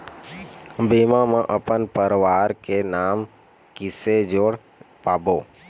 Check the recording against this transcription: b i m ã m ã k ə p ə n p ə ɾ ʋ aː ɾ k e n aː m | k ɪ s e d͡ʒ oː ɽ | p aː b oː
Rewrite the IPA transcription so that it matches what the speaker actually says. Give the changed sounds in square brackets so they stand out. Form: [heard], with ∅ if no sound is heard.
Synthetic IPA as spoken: b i m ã m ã [ʔ] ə p ə n p ə ɾ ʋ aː ɾ k e n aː m | k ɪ s e d͡ʒ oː ɽ | p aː b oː